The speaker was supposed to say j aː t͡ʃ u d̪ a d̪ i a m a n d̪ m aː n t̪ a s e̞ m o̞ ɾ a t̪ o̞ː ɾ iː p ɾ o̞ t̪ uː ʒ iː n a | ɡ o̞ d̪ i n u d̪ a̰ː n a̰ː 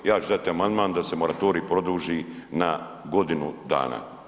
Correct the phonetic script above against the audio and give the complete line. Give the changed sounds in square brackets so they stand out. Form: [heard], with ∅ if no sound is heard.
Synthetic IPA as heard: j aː t͡ʃ u d̪ a [t̪] i a m a n d̪ m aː n [d̪] a s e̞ m o̞ ɾ a t̪ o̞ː ɾ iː p ɾ o̞ [d̪] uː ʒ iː n a | ɡ o̞ d̪ i n u d̪ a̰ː n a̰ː